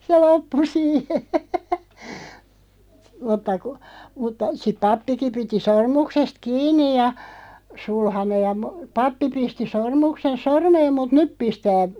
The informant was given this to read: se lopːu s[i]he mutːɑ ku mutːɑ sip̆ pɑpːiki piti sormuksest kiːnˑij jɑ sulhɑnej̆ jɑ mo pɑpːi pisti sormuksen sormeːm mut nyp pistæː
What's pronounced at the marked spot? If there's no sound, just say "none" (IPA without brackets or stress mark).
iː